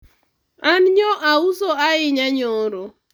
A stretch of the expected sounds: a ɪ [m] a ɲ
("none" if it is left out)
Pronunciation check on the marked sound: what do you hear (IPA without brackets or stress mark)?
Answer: ɲ